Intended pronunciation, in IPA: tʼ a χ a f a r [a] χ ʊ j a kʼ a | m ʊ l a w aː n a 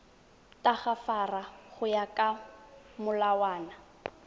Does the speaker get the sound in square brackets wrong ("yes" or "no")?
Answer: no